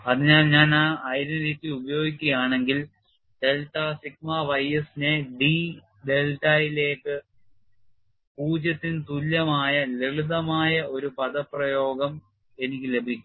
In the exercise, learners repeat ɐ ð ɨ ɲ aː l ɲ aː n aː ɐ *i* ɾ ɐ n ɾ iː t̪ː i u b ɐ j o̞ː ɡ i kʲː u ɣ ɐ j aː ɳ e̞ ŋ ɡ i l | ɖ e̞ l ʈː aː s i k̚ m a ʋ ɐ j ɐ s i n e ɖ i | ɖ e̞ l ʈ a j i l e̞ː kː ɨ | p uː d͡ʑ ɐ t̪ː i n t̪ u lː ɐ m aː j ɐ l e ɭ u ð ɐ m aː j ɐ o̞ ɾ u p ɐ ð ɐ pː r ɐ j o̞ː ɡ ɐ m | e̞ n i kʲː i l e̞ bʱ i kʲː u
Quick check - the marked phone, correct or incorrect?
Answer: incorrect: j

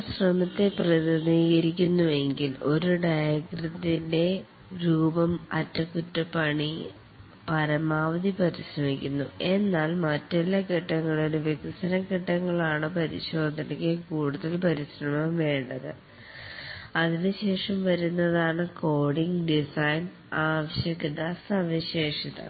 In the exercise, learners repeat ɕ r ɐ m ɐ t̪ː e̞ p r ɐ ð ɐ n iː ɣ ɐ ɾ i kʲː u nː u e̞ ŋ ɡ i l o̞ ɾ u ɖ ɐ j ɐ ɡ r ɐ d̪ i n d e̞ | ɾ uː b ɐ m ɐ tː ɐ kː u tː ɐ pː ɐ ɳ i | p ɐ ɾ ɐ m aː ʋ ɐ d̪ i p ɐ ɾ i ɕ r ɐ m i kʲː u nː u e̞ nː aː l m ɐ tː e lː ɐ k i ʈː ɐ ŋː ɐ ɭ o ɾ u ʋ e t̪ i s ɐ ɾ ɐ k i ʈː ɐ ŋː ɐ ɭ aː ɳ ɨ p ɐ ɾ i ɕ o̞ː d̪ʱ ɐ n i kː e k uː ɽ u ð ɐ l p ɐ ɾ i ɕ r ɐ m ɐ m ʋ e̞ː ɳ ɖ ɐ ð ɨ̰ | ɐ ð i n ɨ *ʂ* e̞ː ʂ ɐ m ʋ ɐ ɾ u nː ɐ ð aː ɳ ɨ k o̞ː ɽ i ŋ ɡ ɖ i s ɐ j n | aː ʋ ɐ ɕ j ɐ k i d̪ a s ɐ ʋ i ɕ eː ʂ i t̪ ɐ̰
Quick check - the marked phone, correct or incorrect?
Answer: incorrect: ɕ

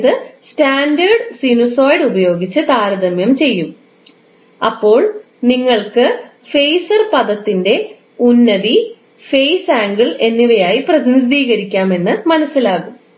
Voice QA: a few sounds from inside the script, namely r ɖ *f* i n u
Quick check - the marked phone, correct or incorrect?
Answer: incorrect: s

